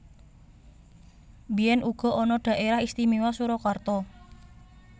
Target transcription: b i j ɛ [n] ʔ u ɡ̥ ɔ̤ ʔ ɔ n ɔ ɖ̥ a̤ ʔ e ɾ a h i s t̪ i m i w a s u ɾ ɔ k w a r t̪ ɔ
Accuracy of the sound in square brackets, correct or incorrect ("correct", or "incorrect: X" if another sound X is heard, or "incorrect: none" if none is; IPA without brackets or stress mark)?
correct